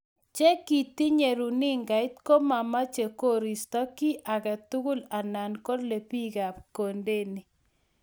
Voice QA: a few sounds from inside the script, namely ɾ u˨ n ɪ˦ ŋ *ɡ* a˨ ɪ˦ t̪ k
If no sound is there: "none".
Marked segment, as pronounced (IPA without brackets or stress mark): ɡ